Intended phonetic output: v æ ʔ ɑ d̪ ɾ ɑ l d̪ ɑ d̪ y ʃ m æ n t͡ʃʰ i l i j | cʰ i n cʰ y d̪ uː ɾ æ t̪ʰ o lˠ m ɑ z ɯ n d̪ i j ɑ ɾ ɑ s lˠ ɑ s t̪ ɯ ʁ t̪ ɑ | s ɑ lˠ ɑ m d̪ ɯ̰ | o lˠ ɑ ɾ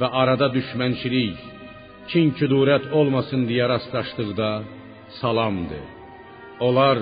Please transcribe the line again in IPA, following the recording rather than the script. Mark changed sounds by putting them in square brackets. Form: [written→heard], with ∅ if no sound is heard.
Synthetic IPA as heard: v æ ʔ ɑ [d̪→∅] ɾ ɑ [l→∅] d̪ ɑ d̪ y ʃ m æ n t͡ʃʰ i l i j | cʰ i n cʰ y d̪ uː ɾ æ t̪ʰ o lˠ m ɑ [z→s] ɯ n d̪ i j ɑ ɾ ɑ s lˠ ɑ [s→ʃ] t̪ ɯ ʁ [t̪→d̪] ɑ | s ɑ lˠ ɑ m d̪ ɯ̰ | o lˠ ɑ ɾ